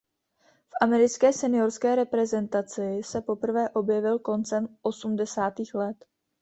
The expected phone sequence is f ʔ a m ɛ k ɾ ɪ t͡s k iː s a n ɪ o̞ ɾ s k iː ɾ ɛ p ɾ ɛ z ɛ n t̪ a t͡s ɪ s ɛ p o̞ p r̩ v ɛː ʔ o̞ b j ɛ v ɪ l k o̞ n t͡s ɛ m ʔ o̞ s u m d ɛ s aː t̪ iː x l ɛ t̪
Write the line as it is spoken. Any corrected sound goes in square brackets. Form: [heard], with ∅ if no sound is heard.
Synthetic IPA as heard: f ʔ a m ɛ [∅] ɾ ɪ t͡s k [ɛː] s [ɛ] n ɪ o̞ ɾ s k [ɛː] ɾ ɛ p ɾ ɛ z ɛ n t̪ a t͡s ɪ s ɛ p o̞ p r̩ v ɛː ʔ o̞ b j ɛ v ɪ l k o̞ n t͡s ɛ m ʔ o̞ s u m d ɛ s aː t̪ iː x l ɛ t̪